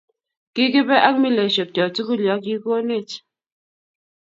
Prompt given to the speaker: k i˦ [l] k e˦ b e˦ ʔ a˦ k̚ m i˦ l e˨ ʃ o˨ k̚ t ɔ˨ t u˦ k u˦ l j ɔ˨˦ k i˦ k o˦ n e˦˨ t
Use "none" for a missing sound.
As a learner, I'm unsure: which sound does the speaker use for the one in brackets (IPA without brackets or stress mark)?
none